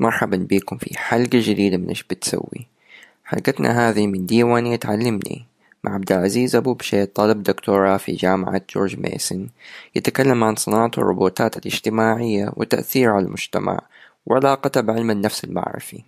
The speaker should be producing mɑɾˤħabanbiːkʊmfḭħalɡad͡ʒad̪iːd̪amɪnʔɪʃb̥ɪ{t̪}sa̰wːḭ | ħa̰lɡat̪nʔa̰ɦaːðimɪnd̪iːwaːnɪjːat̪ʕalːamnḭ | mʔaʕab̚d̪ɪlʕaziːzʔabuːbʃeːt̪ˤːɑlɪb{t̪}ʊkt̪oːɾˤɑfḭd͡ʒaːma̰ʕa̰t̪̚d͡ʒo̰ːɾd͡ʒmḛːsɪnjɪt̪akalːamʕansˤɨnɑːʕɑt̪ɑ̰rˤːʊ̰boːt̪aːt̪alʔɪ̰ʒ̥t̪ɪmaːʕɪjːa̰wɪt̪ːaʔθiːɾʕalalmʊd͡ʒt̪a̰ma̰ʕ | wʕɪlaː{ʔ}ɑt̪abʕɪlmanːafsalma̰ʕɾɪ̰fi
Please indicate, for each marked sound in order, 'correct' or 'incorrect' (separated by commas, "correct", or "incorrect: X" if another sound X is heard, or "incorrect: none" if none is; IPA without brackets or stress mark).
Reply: correct, incorrect: d̪, incorrect: q